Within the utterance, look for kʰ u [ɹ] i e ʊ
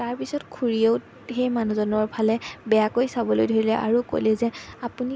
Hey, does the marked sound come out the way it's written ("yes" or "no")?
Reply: yes